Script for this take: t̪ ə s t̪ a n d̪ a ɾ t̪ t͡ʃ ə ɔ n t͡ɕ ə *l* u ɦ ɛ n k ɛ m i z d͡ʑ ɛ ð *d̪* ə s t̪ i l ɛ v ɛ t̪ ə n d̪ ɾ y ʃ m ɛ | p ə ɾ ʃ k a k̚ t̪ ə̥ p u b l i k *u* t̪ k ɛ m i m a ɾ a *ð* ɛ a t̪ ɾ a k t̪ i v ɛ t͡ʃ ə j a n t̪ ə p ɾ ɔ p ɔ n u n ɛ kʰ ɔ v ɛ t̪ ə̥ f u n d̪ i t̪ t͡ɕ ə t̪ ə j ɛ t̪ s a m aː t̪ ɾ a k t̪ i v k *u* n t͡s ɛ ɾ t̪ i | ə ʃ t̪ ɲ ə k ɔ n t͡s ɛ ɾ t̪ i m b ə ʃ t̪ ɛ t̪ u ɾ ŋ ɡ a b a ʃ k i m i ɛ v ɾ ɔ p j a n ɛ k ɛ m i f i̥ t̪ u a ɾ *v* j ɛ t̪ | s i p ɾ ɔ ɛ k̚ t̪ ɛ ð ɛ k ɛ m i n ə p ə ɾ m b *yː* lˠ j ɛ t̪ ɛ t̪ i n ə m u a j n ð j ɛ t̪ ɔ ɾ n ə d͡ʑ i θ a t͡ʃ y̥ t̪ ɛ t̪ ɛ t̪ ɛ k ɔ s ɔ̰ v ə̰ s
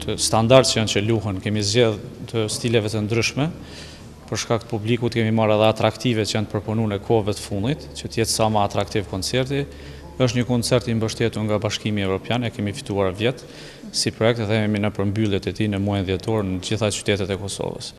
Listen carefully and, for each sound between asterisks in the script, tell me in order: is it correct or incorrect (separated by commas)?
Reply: correct, incorrect, correct, correct, incorrect, correct, incorrect